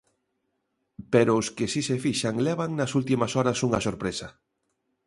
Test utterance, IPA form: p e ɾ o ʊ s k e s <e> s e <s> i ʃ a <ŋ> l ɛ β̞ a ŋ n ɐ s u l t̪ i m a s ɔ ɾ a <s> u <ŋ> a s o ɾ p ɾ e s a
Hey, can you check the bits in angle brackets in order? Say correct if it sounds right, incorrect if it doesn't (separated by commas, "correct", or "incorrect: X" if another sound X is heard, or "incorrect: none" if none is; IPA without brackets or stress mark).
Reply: incorrect: i, incorrect: f, correct, correct, correct